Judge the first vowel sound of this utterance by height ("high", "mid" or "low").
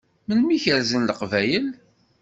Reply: mid